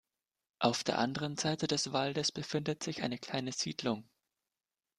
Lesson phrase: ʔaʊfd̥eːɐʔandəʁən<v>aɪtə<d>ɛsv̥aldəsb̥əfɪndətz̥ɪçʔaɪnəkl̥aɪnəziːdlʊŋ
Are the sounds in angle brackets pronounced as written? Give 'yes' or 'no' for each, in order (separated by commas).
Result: no, yes